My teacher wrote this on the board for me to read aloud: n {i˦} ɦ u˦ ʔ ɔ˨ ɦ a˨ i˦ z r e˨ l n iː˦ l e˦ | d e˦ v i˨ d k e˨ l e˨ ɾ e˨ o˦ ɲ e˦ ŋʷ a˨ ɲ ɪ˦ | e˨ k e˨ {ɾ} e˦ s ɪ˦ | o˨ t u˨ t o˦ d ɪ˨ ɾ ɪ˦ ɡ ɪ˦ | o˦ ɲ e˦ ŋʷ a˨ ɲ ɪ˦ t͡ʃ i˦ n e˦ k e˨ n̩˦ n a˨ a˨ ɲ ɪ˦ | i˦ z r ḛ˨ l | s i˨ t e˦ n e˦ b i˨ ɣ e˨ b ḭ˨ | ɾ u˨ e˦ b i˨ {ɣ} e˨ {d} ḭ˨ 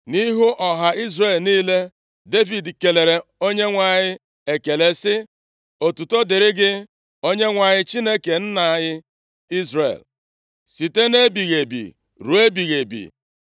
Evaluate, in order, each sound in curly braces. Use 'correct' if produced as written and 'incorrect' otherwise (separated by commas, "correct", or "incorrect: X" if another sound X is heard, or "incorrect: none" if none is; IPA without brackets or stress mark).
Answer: correct, incorrect: l, correct, incorrect: b